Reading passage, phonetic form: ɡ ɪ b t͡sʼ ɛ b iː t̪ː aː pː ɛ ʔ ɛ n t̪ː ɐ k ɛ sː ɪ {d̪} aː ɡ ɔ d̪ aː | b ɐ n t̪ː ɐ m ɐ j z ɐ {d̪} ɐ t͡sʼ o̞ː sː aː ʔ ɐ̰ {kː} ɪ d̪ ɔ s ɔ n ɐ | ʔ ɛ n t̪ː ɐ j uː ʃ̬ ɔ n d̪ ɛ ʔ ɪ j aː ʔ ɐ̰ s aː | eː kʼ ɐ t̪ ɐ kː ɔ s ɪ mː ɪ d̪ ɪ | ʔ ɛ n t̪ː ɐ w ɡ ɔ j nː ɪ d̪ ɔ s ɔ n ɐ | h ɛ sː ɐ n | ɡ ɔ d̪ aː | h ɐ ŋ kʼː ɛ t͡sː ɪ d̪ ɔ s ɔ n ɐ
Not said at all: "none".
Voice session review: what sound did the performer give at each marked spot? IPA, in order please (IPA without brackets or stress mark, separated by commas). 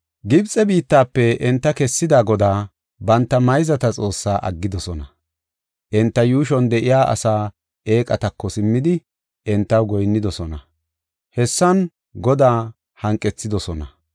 d̪, t̪, ɡː